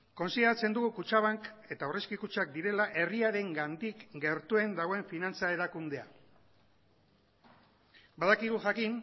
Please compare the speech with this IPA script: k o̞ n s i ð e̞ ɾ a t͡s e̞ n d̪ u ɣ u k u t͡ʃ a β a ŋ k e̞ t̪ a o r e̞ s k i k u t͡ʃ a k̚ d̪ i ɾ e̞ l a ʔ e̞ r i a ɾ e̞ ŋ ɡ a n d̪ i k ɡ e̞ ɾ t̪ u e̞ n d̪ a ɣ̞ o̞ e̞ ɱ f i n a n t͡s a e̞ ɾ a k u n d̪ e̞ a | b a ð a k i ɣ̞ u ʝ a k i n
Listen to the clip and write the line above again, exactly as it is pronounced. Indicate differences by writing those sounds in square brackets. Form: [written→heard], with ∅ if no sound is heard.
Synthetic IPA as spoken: k o̞ n s i ð e̞ ɾ a t͡s e̞ n d̪ u ɣ u k u t͡ʃ a β a ŋ k e̞ t̪ a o r e̞ s k i k u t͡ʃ a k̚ d̪ i ɾ e̞ l a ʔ e̞ r i a ɾ e̞ ŋ ɡ a n d̪ i k ɡ e̞ ɾ t̪ u e̞ n d̪ a ɣ̞ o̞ e̞ ɱ f i n a n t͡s a e̞ ɾ a k u n d̪ e̞ a | b a ð a k i ɣ̞ u ʝ a k i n